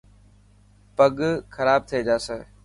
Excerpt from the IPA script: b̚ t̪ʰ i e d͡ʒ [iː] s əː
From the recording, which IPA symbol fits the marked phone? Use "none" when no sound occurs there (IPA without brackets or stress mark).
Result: aː